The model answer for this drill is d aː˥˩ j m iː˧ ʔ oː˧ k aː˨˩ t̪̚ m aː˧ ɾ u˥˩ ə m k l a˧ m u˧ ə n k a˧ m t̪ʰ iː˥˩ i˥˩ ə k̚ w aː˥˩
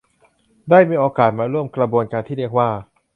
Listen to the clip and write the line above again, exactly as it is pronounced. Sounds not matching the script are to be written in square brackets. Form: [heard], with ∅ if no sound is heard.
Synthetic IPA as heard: d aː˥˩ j m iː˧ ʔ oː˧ k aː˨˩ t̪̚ m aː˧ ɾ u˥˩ ə m k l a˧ [b] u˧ ə n k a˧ [n] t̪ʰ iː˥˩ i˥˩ ə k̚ w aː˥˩